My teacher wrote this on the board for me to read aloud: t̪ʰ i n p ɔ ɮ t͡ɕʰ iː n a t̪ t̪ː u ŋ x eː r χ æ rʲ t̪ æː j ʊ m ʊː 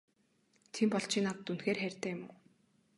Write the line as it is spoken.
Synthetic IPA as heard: t̪ʰ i m p ɔ ɮ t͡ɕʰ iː n a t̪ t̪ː u n x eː r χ æ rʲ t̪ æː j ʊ m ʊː